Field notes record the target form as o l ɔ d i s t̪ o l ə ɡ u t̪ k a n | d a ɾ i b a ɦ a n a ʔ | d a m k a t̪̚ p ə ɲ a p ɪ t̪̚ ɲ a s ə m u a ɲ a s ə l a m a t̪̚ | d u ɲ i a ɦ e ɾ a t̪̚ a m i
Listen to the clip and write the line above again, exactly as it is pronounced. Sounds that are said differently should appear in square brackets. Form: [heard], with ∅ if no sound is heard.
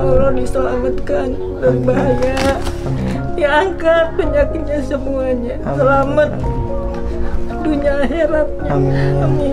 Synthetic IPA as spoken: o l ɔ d i s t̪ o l [a] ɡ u t̪ k a n | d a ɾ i b a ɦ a [ɲ] a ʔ | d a [ŋ] k a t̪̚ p ə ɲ a [k] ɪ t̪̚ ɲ a s ə m u a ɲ a s ə l a m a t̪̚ | d u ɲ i a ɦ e ɾ a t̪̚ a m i